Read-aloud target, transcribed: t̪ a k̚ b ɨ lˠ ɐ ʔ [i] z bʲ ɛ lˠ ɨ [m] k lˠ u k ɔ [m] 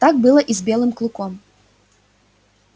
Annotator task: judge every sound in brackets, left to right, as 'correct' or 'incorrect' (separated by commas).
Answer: correct, correct, correct